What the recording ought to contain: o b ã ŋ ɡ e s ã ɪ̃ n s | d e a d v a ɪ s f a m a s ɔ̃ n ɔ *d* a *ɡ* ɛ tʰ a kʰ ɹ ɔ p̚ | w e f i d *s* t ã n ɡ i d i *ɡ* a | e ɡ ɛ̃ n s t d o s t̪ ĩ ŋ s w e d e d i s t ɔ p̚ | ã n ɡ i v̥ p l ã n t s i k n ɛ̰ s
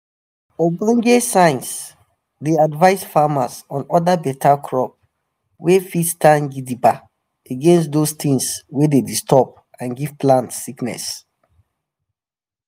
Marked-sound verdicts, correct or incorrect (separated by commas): correct, incorrect, correct, incorrect